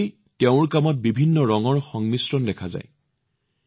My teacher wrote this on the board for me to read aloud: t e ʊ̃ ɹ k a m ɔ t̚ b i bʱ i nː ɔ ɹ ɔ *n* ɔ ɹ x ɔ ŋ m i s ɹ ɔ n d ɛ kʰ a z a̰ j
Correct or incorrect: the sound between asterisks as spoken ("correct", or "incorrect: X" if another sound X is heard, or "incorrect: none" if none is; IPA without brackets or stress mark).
incorrect: ŋ